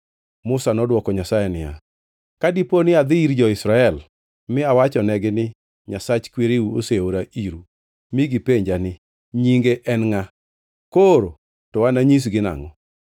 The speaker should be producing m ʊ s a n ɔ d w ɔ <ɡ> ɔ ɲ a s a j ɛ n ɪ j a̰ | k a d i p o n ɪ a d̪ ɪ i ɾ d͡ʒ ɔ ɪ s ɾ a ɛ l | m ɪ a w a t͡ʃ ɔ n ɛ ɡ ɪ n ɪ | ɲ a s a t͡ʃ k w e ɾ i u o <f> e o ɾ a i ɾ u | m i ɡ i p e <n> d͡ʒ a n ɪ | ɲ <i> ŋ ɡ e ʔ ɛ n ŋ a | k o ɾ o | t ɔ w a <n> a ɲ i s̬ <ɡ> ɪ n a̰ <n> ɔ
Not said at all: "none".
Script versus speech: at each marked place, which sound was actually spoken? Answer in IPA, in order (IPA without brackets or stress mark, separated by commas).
k, s, ɲ, i, n, ɡ, ŋ